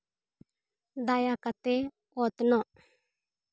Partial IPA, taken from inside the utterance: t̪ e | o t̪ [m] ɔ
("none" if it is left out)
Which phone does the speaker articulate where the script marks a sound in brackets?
n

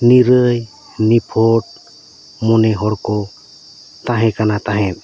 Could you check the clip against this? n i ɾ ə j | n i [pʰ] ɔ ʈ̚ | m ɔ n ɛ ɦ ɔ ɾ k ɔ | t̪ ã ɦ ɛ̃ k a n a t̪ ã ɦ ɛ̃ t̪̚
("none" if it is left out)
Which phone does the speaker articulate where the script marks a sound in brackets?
pʰ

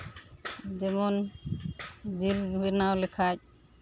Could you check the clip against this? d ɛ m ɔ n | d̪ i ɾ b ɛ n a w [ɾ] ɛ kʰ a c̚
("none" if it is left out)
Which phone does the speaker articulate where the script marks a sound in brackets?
l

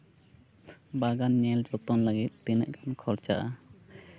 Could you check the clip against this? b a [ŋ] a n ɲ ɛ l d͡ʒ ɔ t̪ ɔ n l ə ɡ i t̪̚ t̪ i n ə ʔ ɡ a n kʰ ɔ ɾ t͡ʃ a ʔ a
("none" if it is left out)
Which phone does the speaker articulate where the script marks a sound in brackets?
ɡ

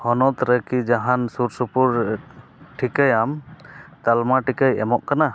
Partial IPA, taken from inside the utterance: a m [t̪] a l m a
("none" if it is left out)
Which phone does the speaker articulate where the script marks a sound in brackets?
t̪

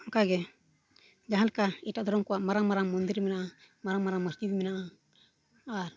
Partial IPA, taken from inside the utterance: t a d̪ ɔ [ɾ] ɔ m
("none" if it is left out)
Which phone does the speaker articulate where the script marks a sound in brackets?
ɾ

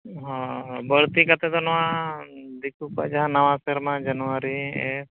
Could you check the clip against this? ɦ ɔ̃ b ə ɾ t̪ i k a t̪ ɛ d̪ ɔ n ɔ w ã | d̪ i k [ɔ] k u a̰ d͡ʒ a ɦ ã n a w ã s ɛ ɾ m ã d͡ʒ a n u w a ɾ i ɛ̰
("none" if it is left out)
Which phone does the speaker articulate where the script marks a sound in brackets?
u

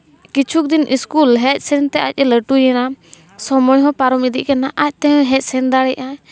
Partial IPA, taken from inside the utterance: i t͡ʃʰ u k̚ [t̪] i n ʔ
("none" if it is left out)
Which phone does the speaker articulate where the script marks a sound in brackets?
d̪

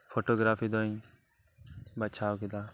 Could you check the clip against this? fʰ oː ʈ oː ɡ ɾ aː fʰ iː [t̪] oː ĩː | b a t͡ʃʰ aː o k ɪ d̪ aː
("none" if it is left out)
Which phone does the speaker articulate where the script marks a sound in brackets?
d̪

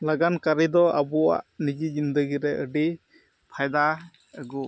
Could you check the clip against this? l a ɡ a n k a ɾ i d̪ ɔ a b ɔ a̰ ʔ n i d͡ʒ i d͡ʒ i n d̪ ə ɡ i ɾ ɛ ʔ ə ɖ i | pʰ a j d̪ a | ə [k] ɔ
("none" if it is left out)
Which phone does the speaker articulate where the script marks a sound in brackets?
ɡ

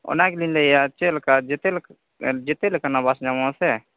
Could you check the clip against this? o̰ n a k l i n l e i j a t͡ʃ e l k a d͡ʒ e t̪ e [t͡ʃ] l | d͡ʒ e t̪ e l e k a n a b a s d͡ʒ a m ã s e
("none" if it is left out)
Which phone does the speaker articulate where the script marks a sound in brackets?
none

